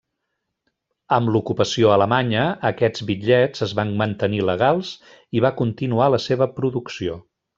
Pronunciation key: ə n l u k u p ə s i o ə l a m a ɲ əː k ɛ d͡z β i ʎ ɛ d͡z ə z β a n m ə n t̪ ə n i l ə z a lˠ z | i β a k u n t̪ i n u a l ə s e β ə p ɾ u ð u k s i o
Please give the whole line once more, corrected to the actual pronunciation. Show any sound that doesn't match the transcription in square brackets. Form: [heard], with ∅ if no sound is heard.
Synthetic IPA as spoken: ə [m] l u k u p ə s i o ə l [ə] m a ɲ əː k ɛ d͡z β i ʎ ɛ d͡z ə z β a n m ə n t̪ ə n i l ə [ɣ] a lˠ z | i β a k u n t̪ i n u a l ə s e β ə p ɾ u ð u k s i o